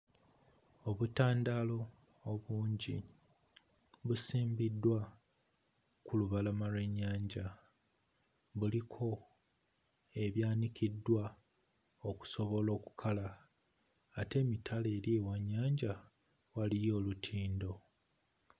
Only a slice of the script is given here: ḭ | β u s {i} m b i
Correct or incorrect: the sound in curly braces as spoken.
incorrect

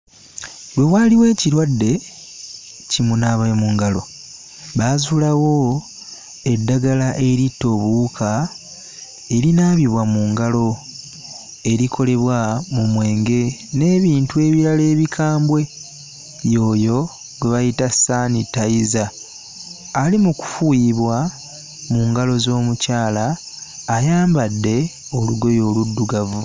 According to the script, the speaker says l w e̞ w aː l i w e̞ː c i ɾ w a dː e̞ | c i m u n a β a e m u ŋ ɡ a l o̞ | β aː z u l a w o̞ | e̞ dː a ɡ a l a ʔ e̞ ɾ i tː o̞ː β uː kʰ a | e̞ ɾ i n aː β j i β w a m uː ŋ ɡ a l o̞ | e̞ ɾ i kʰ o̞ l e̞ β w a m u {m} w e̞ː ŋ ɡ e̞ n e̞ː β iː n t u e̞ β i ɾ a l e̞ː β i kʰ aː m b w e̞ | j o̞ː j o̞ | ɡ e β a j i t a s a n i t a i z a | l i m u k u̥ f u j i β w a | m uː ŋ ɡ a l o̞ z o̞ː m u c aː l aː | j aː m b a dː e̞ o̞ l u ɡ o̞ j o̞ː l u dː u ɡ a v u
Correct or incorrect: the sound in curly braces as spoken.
correct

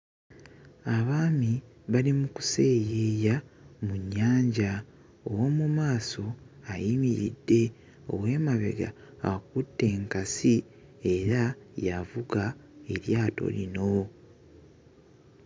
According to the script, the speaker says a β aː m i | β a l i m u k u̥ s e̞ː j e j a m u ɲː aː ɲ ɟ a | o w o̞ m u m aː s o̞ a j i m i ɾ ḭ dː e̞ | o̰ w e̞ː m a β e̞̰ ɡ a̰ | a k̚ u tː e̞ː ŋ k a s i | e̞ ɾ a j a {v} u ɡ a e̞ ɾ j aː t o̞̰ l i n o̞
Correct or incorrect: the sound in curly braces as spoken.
correct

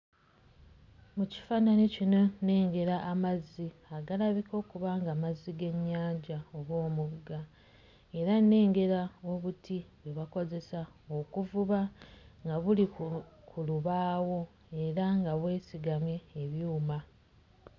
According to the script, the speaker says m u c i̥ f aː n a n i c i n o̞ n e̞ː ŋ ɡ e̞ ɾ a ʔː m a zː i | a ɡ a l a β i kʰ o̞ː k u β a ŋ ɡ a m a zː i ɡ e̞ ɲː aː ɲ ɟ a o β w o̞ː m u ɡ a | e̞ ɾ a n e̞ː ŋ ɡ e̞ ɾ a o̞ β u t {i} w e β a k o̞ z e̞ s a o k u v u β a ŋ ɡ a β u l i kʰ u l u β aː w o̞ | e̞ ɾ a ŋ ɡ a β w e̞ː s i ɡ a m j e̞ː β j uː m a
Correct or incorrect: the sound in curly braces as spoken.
correct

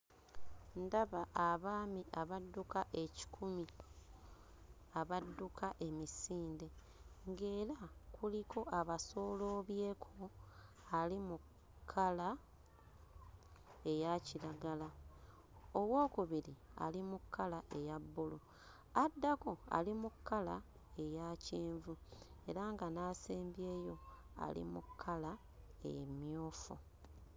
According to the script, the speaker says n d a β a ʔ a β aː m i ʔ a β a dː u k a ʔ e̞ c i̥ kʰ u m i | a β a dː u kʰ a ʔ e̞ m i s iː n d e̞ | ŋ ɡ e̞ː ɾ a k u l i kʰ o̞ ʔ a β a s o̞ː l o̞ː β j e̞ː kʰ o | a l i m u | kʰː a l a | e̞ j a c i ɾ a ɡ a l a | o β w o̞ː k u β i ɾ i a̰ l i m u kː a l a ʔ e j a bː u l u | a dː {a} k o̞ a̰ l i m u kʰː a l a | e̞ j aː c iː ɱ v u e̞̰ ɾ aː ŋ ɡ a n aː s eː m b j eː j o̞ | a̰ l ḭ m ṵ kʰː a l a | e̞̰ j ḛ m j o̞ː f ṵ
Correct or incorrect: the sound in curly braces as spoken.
correct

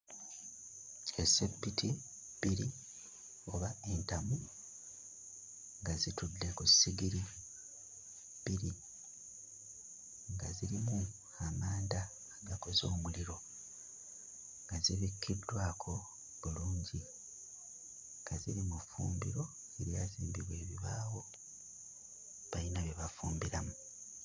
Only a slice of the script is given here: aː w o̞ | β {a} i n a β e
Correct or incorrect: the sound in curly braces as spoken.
correct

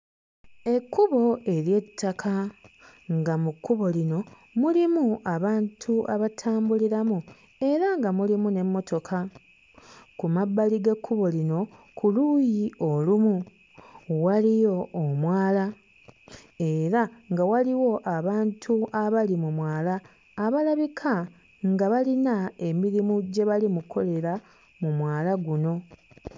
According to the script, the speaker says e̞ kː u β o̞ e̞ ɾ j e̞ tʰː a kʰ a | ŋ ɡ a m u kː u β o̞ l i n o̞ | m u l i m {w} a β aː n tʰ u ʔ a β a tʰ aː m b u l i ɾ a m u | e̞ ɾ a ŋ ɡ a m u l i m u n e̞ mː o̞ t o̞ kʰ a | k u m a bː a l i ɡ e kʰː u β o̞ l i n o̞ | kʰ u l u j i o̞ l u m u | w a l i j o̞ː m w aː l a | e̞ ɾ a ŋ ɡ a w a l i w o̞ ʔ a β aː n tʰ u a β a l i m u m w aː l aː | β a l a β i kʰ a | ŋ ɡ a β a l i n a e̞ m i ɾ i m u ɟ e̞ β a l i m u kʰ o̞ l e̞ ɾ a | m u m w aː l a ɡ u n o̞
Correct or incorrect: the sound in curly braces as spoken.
incorrect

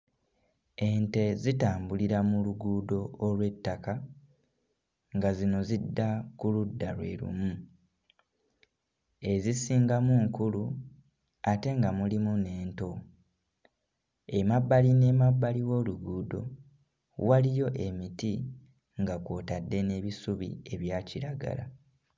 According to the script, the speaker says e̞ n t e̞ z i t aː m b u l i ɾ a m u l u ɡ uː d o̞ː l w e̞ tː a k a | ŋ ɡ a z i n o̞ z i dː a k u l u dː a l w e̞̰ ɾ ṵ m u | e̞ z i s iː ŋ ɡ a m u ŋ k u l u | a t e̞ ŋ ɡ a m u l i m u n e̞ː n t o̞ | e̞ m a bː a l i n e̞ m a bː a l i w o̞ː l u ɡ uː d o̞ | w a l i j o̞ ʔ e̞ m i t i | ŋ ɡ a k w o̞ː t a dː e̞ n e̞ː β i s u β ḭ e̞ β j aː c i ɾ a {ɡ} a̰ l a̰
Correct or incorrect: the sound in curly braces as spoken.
correct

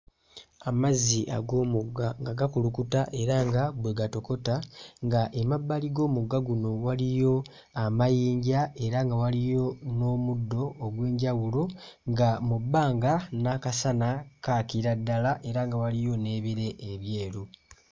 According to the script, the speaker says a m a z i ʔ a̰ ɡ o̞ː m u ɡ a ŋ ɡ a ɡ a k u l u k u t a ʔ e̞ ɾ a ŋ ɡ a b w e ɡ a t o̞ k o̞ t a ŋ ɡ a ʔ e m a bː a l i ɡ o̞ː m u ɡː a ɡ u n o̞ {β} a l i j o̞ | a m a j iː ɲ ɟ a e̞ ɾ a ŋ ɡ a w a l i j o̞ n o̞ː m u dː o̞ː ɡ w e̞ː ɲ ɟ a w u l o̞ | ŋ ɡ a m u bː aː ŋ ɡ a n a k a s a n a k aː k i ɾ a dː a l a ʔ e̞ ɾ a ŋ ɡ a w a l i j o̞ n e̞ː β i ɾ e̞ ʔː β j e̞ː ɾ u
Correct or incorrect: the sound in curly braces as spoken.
incorrect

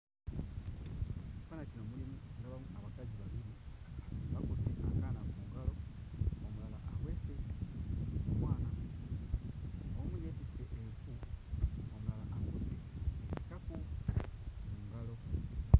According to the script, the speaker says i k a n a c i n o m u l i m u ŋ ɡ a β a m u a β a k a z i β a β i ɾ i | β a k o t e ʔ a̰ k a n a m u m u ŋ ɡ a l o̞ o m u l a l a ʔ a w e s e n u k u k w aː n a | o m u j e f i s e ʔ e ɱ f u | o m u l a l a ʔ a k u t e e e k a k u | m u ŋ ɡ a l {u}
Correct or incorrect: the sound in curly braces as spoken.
incorrect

